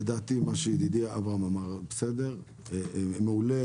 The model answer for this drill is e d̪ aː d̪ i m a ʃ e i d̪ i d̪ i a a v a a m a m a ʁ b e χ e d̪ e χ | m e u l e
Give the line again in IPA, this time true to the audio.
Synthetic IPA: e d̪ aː t̪ i m a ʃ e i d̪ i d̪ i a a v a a m a m a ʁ b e s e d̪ e ʁ | m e u l e

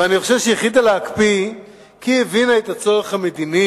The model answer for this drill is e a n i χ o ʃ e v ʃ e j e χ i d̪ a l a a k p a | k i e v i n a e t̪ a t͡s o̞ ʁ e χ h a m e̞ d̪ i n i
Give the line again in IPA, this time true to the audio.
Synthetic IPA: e a n i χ o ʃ e v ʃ e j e χ i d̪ a l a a k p i | k i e v i n a e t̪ a t͡s o̞ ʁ e χ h a m e̞ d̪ i n i

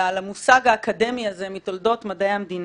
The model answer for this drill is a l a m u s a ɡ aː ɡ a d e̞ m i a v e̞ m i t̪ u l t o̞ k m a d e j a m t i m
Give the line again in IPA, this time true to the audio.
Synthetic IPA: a l a m u s a ɡ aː k a d e̞ m i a z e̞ m i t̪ o l d o̞ t m a d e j a m d i n

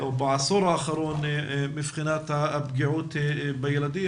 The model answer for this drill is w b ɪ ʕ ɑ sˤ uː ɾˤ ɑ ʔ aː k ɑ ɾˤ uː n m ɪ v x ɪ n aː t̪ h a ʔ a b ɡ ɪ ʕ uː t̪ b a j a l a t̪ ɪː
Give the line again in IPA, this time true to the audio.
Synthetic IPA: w b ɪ ʕ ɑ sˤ uː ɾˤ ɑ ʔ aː x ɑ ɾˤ uː n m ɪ f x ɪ n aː t̪ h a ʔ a b ɡ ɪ ʕ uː t̪ b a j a l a d̪ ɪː

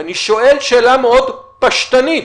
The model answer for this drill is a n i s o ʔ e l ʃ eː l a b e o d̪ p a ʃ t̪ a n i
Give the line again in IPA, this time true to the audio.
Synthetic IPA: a n i ʃ o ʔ e l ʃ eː l a m e o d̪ p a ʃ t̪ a n i

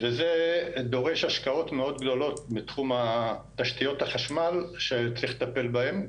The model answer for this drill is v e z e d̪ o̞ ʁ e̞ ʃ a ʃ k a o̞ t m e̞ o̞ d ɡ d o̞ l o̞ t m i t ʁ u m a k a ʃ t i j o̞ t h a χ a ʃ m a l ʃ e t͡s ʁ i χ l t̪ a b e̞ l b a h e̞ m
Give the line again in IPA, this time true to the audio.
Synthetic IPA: v e z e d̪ o̞ ʁ e̞ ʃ a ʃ k a o̞ t m e̞ o̞ d ɡ d o̞ l o̞ t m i t χ u m a t a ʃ t i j o̞ t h a χ a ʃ m a l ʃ e t͡s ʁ i χ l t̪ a p e̞ l b a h e̞ m

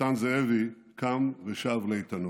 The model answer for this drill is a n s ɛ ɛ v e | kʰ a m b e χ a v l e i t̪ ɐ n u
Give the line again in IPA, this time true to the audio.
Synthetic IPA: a n z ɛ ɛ v i | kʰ a m v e ʃ a v l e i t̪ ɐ n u

